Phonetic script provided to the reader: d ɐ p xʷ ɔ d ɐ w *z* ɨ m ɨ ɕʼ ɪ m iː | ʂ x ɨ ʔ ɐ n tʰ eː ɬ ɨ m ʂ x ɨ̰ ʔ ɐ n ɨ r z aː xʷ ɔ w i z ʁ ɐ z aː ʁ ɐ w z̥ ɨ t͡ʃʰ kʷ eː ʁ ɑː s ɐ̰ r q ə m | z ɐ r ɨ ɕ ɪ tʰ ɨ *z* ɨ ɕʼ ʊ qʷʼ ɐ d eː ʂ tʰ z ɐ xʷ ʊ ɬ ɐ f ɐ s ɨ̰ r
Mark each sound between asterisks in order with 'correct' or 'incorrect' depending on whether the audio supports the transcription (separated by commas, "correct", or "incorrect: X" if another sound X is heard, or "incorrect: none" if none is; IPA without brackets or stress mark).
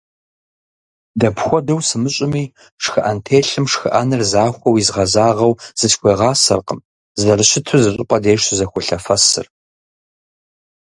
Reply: incorrect: s, correct